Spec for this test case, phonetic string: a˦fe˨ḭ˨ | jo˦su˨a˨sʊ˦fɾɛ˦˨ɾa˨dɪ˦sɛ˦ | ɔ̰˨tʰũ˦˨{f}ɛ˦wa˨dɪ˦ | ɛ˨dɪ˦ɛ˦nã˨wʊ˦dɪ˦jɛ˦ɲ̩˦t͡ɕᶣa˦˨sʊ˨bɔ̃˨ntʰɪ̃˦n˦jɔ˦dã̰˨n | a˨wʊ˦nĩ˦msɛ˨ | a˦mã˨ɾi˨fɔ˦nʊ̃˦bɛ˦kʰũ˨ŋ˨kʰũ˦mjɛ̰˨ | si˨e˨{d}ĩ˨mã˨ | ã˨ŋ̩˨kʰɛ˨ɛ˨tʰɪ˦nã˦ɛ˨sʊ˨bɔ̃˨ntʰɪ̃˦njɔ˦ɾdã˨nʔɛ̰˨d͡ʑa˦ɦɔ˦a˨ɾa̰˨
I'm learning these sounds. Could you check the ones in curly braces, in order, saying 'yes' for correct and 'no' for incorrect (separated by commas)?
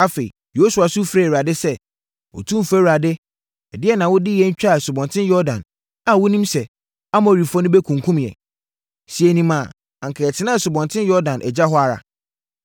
yes, no